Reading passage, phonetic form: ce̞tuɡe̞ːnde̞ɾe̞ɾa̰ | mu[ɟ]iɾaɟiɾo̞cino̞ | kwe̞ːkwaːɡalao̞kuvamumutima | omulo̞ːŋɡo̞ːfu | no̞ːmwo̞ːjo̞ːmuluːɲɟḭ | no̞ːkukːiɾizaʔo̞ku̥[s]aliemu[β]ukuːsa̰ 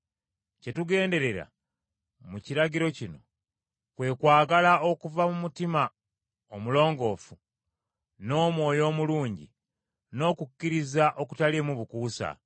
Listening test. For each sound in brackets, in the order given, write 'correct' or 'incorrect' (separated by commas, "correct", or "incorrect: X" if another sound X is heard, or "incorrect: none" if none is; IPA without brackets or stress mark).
incorrect: c, incorrect: t, correct